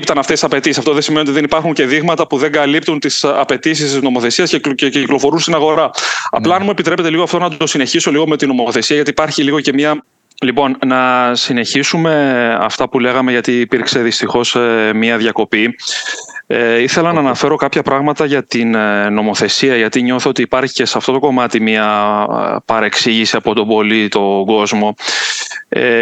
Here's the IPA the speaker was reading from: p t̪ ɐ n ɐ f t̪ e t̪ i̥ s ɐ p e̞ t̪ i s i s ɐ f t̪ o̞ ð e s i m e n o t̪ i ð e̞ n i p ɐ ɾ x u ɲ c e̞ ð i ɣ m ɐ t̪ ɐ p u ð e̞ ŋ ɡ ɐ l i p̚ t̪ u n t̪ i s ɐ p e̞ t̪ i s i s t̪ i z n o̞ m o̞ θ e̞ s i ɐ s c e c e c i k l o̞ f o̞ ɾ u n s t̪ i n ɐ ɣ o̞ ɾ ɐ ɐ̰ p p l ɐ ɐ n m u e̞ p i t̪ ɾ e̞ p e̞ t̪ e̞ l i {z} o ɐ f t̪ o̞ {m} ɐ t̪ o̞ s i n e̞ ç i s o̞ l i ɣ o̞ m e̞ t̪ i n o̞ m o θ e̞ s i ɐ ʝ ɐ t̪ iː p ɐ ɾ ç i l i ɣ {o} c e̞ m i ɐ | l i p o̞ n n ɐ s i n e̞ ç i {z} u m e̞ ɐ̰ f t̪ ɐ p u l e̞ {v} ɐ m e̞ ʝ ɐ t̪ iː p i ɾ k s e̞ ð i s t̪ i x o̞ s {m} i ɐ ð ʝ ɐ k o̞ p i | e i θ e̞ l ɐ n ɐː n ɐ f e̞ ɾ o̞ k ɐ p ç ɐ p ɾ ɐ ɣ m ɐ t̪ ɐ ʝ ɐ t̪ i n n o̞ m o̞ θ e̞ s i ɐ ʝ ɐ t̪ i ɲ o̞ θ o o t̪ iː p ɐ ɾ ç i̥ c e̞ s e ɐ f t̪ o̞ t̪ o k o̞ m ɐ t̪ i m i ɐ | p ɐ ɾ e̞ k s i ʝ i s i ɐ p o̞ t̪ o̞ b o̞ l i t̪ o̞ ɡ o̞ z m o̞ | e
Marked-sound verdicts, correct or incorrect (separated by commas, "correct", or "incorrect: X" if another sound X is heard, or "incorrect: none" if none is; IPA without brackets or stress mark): incorrect: ɣ, incorrect: n, correct, incorrect: s, incorrect: ɣ, correct